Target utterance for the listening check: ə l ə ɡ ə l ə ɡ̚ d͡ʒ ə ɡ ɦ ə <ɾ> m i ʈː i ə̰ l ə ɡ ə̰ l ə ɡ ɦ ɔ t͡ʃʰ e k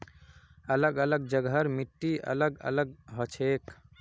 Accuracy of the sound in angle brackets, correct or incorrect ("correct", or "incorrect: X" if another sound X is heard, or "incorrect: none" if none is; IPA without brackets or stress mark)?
correct